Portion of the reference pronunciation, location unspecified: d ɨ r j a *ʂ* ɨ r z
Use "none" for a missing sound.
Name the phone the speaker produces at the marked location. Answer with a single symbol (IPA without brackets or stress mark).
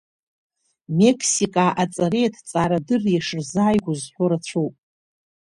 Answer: ʂ